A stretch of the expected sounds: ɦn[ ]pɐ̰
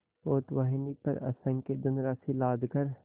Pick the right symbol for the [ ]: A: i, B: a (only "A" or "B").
A